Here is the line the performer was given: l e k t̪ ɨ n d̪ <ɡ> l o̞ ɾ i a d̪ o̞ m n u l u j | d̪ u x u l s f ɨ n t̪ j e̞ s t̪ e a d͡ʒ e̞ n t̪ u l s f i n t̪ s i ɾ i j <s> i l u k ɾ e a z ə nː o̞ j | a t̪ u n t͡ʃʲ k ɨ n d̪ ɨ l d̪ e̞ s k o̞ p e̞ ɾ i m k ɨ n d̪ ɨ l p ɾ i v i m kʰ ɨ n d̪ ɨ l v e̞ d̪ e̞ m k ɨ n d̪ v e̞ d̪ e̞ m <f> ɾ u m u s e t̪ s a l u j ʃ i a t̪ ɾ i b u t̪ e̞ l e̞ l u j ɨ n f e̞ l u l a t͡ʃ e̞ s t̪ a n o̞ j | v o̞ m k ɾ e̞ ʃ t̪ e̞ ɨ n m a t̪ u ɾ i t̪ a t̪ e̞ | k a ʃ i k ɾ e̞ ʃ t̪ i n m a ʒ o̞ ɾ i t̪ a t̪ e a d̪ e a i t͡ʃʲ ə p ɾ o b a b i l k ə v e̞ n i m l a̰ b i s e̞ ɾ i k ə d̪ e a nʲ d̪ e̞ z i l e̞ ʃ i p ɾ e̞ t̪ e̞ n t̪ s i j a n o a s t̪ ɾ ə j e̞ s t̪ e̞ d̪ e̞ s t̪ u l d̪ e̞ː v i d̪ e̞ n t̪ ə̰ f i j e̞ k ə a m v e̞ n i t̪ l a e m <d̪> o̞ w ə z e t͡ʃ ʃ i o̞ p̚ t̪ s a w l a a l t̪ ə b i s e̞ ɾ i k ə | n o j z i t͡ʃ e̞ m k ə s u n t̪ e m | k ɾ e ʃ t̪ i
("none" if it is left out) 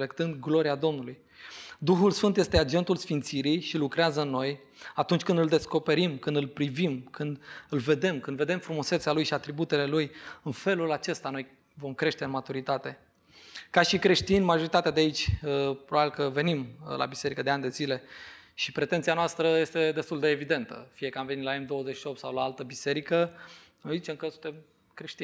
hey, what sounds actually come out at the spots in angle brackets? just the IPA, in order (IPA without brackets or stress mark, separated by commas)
ɡ, ʃ, f, d̪